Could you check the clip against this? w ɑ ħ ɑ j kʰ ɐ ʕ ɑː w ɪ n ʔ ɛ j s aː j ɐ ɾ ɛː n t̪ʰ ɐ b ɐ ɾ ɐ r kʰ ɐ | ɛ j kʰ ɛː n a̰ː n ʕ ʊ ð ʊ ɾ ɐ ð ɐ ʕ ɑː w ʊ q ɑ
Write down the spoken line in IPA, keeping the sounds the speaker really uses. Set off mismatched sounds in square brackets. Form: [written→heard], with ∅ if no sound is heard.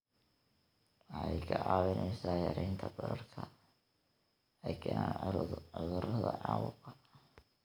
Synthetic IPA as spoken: w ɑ ħ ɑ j kʰ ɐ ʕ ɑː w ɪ n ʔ ɛ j s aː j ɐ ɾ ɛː n t̪ʰ ɐ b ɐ ɾ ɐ r kʰ ɐ | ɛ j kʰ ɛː n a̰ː n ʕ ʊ ð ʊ ɾ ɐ ð ɐ ʕ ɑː w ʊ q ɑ